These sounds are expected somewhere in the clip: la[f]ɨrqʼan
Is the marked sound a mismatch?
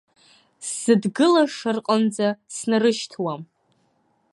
yes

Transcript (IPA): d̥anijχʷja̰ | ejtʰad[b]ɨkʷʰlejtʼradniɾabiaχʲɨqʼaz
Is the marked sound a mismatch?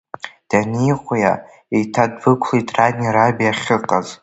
no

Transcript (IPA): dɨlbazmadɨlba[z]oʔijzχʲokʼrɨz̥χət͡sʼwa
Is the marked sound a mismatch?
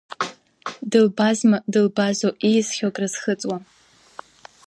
no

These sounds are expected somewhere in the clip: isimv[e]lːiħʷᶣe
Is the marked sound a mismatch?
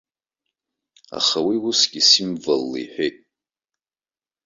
yes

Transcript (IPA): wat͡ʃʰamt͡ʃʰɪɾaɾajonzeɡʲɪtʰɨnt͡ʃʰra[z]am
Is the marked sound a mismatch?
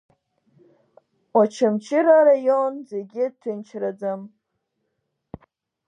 yes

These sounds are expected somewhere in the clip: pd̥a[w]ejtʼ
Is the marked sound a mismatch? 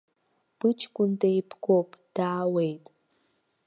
no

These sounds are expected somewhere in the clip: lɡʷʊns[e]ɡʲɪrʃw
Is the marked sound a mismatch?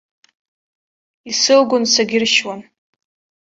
yes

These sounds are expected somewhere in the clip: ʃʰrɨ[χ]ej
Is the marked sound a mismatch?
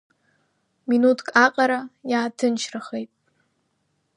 no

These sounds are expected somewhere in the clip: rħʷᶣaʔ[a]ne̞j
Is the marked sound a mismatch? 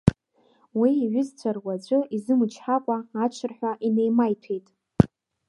yes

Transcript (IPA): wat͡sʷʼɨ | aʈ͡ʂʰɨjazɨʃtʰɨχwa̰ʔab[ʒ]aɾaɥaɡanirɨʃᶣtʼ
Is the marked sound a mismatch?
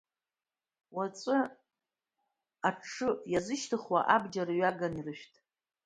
yes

